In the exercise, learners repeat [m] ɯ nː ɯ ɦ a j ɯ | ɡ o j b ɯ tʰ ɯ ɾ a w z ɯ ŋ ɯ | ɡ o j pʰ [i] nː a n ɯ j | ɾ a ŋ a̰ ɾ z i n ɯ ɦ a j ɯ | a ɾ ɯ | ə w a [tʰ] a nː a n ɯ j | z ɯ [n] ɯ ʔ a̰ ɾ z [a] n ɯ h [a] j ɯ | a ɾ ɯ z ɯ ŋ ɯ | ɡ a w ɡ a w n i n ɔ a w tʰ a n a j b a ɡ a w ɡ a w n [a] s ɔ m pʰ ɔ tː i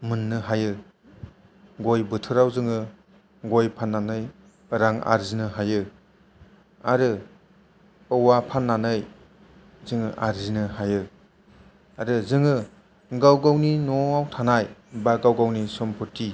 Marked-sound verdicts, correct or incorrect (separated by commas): correct, incorrect, incorrect, incorrect, incorrect, correct, incorrect